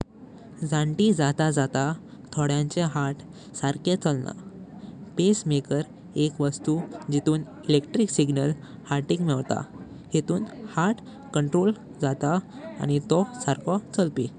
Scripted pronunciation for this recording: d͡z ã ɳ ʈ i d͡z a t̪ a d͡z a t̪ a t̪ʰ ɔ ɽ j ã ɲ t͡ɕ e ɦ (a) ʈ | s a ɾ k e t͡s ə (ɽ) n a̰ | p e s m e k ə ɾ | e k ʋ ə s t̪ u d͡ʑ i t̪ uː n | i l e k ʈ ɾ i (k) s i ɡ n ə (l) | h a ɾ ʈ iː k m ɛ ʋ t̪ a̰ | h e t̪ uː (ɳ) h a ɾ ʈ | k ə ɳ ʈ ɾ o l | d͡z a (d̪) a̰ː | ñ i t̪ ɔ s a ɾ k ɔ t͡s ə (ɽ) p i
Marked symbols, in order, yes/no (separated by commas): yes, no, yes, yes, no, no, no